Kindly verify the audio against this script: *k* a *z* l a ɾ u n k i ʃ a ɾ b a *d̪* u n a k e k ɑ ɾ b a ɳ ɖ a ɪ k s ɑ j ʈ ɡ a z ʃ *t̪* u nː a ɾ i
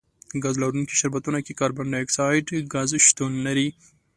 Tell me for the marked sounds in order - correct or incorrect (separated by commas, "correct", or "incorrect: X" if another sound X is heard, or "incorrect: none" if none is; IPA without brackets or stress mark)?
incorrect: ɡ, correct, incorrect: t̪, correct